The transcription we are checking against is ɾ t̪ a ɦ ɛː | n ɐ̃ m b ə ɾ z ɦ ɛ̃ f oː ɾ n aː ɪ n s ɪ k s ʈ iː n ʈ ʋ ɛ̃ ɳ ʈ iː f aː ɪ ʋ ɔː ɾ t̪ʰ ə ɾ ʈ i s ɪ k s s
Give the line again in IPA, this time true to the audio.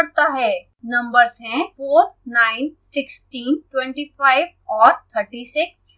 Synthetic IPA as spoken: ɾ t̪ a ɦ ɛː | n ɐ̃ m b ə ɾ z ɦ ɛ̃ f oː ɾ n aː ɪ n s ɪ k s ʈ iː n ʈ w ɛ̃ ɳ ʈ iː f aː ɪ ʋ ɔː ɾ t̪ʰ ə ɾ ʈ i s ɪ k s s

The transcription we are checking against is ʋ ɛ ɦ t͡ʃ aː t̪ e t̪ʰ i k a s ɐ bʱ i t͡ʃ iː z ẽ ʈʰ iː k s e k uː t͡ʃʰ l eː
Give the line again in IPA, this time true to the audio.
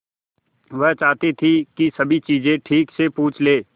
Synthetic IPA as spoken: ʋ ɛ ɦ t͡ʃ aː t̪ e t̪ʰ i k i s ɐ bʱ i t͡ʃ iː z ẽ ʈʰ iː k s e p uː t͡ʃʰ l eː

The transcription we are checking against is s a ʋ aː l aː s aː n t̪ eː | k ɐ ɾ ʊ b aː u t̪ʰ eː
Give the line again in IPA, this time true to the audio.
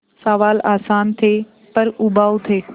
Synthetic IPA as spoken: s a ʋ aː l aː s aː n t̪ʰ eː | p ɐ ɾ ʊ b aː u t̪ʰ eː

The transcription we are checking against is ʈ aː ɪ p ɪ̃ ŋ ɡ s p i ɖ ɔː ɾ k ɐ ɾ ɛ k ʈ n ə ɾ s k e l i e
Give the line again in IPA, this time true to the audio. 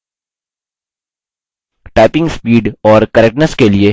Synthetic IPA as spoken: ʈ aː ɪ p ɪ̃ ŋ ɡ s p iː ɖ ɔː ɾ k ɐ ɾ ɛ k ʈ n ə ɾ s k e l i e

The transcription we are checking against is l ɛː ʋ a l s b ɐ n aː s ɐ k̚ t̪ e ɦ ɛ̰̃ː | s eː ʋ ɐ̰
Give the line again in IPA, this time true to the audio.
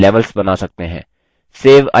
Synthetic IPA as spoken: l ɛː ʋ ə l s b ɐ n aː s ɐ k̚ t̪ e ɦ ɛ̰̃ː | s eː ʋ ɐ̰

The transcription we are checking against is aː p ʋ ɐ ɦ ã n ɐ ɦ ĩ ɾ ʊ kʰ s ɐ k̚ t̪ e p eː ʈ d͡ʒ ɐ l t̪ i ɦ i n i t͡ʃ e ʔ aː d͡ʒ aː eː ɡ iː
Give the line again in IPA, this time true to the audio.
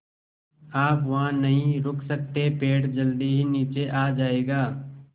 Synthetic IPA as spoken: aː p ʋ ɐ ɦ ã n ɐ ɦ ĩ ɾ ʊ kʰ s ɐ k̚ t̪ e p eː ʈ d͡ʒ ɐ l d̪ i ɦ i n iː t͡ʃ e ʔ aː d͡ʒ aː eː ɡ aː

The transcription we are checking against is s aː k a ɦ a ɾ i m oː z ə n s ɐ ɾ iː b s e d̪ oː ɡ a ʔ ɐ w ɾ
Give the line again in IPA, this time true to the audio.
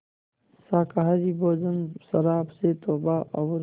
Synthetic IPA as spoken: s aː k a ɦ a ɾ i b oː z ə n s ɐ ɾ aː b s e t̪ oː b a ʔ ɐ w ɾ

